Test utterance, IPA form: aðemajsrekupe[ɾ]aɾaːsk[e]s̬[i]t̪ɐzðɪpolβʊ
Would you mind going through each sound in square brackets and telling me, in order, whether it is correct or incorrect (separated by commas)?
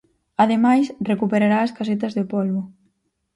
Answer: correct, incorrect, incorrect